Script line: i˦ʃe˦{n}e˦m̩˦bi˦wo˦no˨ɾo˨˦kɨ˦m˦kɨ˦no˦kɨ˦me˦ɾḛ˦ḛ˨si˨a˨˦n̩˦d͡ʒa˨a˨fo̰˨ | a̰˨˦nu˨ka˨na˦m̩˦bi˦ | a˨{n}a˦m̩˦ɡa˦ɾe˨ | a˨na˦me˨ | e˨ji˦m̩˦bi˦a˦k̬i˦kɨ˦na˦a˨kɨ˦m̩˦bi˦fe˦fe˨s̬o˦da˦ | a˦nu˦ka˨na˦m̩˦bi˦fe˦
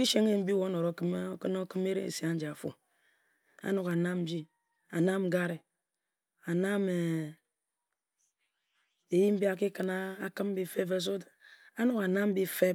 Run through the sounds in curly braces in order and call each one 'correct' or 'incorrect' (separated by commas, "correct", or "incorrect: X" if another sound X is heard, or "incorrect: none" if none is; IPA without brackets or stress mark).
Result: incorrect: ŋ, correct